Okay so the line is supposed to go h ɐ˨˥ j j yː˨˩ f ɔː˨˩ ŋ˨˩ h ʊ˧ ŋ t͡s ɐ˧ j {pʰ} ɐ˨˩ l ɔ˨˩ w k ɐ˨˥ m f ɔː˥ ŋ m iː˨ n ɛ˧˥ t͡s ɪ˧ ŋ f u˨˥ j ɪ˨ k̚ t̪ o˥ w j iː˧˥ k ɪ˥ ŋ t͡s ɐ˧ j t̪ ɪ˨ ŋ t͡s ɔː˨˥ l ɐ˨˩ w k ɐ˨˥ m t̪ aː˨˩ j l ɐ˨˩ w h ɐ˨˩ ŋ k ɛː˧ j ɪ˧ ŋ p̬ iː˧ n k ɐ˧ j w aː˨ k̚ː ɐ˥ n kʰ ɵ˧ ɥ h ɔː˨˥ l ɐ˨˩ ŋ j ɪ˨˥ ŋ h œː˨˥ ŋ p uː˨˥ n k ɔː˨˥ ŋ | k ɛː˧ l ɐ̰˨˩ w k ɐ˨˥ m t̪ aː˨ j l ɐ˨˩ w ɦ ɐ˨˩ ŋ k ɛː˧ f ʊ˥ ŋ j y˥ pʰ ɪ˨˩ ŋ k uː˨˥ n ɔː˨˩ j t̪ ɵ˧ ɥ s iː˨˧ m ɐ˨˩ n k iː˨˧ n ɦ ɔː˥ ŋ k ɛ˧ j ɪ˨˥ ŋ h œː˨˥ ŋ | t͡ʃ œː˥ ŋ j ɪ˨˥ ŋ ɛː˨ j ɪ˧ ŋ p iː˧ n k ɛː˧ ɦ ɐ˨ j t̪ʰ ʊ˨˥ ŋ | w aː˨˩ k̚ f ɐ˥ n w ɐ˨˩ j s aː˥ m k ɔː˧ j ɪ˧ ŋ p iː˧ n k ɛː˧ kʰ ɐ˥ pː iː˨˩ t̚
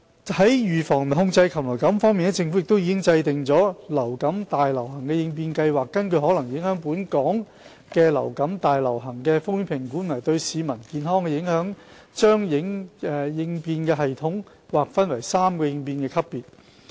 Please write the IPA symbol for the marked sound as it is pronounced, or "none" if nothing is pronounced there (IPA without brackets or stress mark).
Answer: kʰ